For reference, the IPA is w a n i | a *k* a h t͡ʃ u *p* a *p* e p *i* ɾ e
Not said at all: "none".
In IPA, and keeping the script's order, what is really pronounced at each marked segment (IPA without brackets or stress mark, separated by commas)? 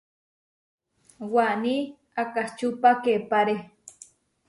k, p, k, a